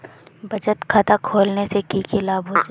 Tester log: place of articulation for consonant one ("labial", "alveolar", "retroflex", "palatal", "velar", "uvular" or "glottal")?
labial